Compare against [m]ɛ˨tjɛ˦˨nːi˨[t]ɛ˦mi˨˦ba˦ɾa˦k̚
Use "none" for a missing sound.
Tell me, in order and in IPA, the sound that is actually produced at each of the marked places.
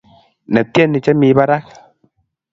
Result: n, t͡ʃ

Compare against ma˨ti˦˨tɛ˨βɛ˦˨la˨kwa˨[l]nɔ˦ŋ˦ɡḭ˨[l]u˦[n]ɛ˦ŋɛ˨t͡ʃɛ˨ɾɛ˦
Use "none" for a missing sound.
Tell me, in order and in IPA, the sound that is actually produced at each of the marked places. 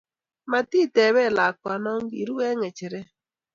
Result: none, ɾ, none

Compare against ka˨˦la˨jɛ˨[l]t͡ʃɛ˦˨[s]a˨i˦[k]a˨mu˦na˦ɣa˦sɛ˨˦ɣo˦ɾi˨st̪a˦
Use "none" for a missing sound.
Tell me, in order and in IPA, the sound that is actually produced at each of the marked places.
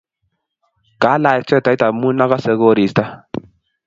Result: none, t, t

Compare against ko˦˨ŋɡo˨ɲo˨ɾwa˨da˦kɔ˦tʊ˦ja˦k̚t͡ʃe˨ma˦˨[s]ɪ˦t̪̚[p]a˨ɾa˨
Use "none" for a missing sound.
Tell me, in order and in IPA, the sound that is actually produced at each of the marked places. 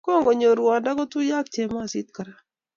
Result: s, k

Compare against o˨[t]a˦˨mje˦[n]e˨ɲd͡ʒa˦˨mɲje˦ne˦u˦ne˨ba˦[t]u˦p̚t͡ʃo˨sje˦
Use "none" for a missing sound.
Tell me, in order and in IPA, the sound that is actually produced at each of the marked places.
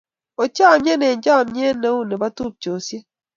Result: t͡ʃ, n, t

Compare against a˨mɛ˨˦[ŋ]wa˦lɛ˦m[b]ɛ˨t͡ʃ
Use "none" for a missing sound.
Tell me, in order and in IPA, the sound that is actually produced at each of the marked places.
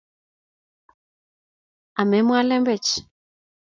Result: m, b

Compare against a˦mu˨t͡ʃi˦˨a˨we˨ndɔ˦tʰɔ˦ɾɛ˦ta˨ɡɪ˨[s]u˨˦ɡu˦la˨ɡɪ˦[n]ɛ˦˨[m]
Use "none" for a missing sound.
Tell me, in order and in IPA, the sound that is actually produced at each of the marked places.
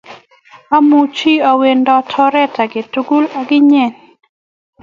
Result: t, ɲ, n

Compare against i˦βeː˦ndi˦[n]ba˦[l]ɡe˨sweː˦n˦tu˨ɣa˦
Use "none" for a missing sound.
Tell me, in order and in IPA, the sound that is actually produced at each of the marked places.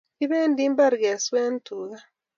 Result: m, ɾ

